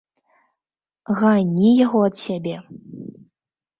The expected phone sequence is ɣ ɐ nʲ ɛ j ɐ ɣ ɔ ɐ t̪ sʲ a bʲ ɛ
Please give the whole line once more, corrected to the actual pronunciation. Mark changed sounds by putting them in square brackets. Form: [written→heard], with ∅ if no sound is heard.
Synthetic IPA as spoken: ɣ [ɐ→a] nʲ [ɛ→i] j [ɐ→a] ɣ ɔ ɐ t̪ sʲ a bʲ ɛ